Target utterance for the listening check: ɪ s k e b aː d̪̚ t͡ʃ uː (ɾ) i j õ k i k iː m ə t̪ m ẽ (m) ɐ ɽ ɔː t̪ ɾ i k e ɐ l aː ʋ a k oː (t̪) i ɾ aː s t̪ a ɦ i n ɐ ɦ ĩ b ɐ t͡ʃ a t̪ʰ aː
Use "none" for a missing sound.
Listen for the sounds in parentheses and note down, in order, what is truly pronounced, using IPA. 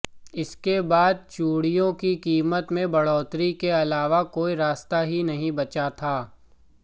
ɽ, b, none

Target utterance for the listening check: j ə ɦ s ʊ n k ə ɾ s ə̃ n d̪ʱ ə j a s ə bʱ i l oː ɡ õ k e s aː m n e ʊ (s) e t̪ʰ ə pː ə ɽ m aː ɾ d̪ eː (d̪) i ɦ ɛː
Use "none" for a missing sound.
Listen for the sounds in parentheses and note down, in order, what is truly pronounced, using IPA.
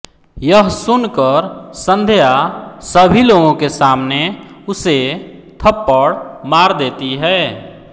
s, t̪

